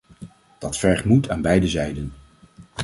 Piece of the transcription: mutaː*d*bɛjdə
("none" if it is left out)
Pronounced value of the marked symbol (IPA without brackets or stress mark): n